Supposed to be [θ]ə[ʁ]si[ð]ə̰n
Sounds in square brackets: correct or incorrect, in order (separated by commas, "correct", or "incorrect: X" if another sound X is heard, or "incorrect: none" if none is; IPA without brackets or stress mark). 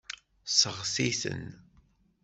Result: incorrect: s, correct, incorrect: θ